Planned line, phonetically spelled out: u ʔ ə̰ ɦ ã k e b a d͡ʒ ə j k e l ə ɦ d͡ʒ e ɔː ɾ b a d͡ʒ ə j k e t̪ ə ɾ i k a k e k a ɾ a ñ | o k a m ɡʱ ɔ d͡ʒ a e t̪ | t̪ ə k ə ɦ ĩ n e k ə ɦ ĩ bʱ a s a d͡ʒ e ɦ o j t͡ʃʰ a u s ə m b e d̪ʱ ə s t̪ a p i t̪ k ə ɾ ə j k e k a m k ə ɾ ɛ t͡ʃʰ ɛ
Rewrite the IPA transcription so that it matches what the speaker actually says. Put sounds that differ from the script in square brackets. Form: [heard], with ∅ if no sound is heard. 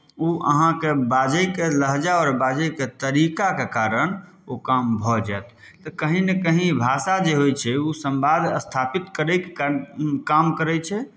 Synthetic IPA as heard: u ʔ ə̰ ɦ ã k e b a d͡ʒ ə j k e l ə ɦ d͡ʒ [a] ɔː ɾ b a d͡ʒ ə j k e t̪ ə ɾ i k a k e k a ɾ [ə] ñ | o k a m [bʱ] ɔ d͡ʒ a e t̪ | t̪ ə k ə ɦ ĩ n e k ə ɦ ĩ bʱ a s a d͡ʒ e ɦ o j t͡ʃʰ [ɛ] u s ə m b [a] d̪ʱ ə s [t̪ʰ] a p i t̪ k ə ɾ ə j k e k a m k ə ɾ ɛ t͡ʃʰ ɛ

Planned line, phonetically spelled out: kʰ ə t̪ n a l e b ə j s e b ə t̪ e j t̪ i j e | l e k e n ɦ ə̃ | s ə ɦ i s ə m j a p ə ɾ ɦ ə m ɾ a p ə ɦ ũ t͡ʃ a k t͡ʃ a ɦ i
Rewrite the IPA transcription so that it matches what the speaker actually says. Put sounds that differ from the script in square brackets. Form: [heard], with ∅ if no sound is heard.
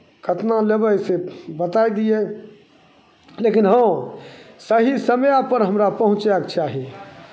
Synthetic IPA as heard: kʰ ə t̪ n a l e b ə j s e b ə t̪ [a] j [d̪] i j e | l e k [i] n ɦ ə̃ | s ə ɦ i s ə m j a p ə ɾ ɦ ə m ɾ a p ə ɦ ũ t͡ʃ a k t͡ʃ a ɦ i

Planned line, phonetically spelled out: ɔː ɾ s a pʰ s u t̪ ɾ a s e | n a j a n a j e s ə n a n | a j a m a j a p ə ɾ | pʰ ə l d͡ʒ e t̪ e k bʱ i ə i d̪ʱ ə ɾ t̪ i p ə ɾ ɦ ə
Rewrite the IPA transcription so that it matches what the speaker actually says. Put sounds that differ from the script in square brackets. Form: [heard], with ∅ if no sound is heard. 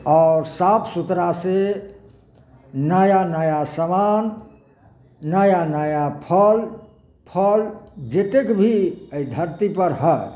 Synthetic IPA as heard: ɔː ɾ s a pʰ s u t̪ ɾ a s e | n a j a n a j [a] s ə [m] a n | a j a [n] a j a [pʰ] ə [l] | pʰ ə l d͡ʒ e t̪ e k bʱ i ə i d̪ʱ ə ɾ t̪ i p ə ɾ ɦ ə

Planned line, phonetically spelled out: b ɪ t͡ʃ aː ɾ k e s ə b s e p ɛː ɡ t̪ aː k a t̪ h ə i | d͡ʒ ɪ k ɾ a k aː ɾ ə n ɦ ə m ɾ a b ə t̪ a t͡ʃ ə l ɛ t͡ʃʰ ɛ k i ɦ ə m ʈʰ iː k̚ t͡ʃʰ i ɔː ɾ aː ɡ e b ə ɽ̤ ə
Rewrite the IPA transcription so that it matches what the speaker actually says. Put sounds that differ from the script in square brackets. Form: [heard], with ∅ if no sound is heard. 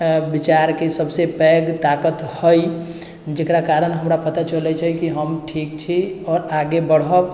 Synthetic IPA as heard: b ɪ t͡ʃ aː ɾ k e s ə b s e p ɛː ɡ t̪ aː k [ə] t̪ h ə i | d͡ʒ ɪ k ɾ a k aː ɾ ə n ɦ ə m ɾ a [p] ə t̪ a t͡ʃ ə l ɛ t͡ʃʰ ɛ k i ɦ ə m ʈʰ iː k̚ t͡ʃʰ i ɔː ɾ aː ɡ e b ə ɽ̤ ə

